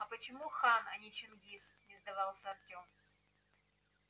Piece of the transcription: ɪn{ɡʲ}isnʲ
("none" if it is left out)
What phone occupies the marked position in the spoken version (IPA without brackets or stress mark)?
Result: ɡʲ